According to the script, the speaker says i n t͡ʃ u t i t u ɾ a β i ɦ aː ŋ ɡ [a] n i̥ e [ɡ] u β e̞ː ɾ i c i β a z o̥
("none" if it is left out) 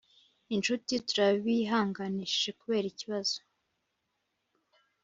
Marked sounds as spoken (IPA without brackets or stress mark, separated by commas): a, k